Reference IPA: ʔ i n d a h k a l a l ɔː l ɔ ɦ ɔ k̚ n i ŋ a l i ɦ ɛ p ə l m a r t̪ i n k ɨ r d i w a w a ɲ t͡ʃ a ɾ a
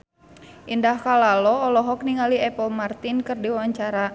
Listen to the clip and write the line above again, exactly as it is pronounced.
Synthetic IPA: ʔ i n d a h k a l a l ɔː l ɔ ɦ ɔ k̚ n i ŋ a l i ɛ p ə l m a r t̪ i n k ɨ r d i w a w a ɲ t͡ʃ a ɾ a